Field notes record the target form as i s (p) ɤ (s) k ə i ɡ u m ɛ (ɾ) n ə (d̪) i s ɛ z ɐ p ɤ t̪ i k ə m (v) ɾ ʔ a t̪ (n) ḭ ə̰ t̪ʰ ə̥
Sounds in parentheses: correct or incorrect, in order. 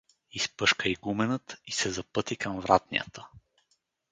correct, incorrect: ʃ, incorrect: none, incorrect: t̪, correct, correct

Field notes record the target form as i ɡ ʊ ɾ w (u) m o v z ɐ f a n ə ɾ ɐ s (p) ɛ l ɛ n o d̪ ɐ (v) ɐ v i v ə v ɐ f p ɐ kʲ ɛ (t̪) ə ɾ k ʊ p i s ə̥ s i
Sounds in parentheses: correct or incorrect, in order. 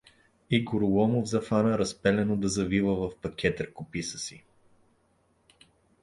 incorrect: ɔ, correct, incorrect: z, correct

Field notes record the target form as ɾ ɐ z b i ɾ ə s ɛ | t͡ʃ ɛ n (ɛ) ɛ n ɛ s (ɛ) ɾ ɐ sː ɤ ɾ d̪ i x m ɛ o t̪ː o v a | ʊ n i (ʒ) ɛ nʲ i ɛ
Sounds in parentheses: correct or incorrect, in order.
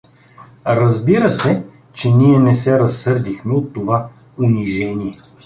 incorrect: i, correct, correct

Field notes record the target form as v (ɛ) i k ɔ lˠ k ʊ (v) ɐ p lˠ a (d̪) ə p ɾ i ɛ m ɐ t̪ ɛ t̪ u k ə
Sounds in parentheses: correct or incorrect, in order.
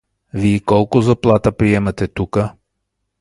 incorrect: i, incorrect: z, incorrect: t̪

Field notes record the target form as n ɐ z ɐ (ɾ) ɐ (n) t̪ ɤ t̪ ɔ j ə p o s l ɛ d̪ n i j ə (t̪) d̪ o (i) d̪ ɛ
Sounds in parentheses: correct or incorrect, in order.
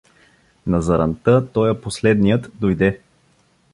correct, correct, correct, incorrect: j

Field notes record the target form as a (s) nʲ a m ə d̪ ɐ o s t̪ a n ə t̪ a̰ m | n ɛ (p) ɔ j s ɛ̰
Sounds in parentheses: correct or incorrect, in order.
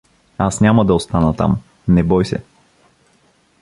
correct, incorrect: b

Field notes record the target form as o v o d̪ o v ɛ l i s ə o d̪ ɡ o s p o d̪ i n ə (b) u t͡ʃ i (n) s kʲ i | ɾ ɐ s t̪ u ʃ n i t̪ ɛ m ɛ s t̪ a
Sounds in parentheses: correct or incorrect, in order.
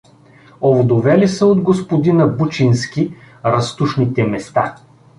correct, correct

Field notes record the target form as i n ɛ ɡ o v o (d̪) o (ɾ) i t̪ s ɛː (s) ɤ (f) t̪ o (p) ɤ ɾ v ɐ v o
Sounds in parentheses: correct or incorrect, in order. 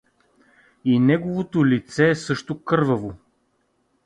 incorrect: t̪, incorrect: l, correct, incorrect: ʃ, incorrect: k

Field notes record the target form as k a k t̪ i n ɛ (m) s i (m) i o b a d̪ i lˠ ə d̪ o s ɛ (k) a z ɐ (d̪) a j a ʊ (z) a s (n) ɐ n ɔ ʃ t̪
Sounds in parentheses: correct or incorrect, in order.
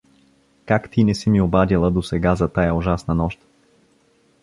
incorrect: none, correct, incorrect: ɡ, incorrect: t̪, incorrect: ʒ, correct

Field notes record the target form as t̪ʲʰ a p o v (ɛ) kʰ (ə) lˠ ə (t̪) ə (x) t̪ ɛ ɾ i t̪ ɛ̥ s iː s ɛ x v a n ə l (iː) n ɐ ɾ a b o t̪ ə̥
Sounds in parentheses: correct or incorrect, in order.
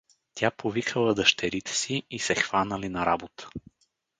incorrect: i, correct, incorrect: d̪, incorrect: ʃ, incorrect: i

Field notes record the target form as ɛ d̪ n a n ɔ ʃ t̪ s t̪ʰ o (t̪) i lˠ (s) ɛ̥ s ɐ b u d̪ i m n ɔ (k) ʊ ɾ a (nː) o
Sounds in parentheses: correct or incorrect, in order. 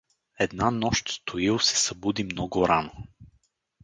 incorrect: none, correct, incorrect: ɡ, incorrect: n

